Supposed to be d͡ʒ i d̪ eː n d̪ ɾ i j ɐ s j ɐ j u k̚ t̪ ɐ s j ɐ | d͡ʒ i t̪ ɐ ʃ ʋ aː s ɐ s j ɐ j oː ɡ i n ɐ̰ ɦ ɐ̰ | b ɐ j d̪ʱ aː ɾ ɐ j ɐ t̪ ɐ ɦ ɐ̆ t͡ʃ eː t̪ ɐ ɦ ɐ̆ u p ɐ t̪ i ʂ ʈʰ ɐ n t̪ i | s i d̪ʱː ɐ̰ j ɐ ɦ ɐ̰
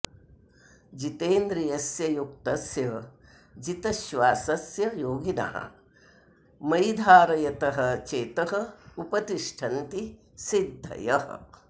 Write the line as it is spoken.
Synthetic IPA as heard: d͡ʒ i t̪ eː n d̪ ɾ i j ɐ s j ɐ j u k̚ t̪ ɐ s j ɐ | d͡ʒ i t̪ ɐ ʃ ʋ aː s ɐ s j ɐ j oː ɡ i n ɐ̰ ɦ ɐ̰ | m ɐ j d̪ʱ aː ɾ ɐ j ɐ t̪ ɐ ɦ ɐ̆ t͡ʃ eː t̪ ɐ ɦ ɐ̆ u p ɐ t̪ i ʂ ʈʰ ɐ n t̪ i | s i d̪ʱː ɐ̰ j ɐ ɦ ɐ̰